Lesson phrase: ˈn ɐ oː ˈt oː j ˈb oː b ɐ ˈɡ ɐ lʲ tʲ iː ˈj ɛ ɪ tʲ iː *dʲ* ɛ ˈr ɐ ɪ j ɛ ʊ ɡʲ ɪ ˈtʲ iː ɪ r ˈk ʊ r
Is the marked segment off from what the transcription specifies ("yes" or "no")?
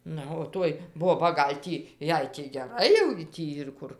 yes